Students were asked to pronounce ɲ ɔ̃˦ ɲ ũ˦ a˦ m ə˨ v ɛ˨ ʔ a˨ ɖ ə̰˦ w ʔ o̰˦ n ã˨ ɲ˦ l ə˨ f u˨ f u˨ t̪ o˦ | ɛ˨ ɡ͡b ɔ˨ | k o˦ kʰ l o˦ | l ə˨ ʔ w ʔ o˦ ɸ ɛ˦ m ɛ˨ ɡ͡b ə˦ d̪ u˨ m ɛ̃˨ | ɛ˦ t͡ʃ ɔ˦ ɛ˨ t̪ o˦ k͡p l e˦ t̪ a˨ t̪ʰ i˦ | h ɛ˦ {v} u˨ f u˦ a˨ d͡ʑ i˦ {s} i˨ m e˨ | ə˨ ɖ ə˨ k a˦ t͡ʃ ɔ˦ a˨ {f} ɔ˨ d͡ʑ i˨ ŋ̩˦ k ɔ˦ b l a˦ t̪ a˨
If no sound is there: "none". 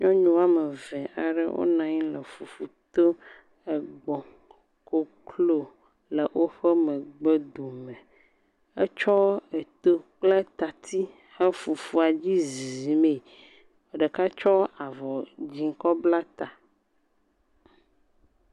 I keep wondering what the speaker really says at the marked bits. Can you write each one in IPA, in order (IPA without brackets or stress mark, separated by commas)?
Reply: f, z, v